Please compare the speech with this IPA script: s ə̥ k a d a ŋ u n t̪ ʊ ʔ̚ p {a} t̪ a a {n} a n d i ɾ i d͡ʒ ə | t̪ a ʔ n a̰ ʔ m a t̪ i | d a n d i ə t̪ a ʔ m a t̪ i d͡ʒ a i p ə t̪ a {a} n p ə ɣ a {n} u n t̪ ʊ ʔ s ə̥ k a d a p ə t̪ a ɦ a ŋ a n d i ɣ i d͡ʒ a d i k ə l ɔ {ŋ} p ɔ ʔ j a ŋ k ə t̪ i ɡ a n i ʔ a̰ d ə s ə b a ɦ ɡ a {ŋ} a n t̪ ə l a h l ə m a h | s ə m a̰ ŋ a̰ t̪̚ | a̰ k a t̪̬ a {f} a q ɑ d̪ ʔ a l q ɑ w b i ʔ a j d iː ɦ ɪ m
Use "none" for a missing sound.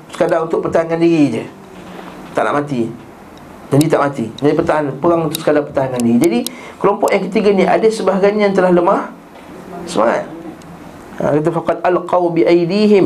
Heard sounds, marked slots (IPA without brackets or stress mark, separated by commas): ə, ŋ, a, ŋ, m, ɲ, f